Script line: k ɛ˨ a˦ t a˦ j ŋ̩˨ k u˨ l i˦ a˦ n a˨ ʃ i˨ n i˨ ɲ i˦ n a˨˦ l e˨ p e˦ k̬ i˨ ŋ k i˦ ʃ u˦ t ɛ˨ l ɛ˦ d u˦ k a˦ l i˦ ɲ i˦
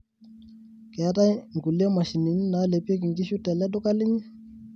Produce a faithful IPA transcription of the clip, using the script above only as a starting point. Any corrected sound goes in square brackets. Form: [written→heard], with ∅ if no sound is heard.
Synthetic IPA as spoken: k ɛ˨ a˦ t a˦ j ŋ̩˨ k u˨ l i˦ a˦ [n→m] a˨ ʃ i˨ n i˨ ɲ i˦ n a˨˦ l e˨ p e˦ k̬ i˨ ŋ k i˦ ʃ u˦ t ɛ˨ l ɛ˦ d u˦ k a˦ l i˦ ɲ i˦